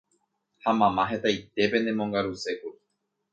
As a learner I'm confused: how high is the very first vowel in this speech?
low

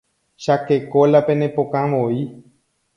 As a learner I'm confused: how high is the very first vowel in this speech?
low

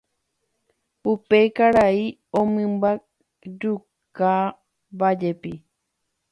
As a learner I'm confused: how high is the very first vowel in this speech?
high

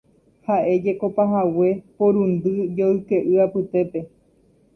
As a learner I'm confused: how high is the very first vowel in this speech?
low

